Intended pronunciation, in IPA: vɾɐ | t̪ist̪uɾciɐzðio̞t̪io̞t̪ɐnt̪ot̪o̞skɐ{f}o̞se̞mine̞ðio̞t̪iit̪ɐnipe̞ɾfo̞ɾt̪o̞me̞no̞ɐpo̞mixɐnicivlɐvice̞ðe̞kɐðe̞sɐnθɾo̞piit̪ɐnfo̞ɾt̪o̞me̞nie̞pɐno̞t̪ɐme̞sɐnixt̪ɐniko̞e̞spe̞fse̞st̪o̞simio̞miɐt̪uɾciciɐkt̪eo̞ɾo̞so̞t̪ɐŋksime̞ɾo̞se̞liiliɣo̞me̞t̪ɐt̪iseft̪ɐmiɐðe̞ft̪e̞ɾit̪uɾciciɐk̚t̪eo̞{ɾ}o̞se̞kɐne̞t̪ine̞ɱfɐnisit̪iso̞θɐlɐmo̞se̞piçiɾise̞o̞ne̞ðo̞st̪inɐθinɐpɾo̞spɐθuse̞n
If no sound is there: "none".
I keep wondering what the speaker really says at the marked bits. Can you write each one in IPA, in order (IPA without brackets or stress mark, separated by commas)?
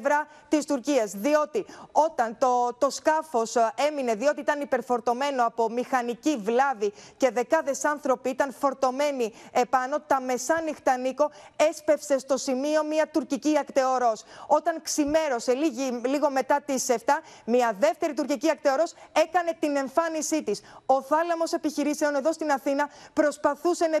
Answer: f, ɾ